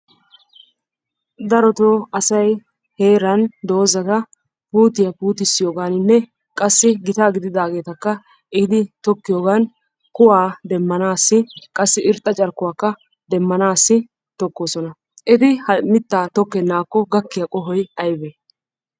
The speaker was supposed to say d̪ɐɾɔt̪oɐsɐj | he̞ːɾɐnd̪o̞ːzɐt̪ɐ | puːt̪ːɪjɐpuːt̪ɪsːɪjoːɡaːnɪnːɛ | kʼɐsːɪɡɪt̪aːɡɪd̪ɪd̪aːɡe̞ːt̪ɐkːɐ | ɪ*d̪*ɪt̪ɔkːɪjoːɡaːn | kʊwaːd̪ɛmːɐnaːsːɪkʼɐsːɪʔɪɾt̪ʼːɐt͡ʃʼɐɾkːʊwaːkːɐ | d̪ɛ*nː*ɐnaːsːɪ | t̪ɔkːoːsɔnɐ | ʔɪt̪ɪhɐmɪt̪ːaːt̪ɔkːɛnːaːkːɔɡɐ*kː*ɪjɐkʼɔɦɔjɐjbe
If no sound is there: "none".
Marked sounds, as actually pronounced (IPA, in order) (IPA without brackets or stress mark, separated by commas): d̪, mː, kː